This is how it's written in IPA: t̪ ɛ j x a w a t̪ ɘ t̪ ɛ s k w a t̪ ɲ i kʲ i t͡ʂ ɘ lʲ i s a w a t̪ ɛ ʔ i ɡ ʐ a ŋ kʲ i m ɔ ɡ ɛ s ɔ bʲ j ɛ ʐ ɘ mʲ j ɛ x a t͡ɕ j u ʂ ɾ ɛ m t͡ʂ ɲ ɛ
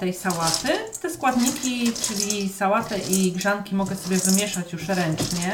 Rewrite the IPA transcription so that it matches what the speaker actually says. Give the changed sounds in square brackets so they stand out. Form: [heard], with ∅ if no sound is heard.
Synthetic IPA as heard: t̪ ɛ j [s] a w a t̪ ɘ t̪ ɛ s k w a [d̪] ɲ i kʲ i t͡ʂ ɘ lʲ i s a w a t̪ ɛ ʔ i ɡ ʐ a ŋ kʲ i m ɔ ɡ ɛ s ɔ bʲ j ɛ [v] ɘ mʲ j ɛ [ʂ] a t͡ɕ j u ʂ ɾ ɛ [n] t͡ʂ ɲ ɛ